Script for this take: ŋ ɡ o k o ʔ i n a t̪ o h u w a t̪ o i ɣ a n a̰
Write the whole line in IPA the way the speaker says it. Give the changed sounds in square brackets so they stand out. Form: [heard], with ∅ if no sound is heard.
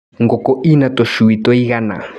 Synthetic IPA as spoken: ŋ ɡ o k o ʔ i n a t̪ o [ʃ] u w [i] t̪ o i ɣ a n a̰